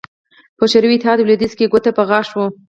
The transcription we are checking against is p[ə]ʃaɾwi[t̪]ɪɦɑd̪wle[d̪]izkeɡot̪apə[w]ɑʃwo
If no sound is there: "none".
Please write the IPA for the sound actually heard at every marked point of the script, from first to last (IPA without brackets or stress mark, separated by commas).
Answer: ə, t̪, d̪, ɣ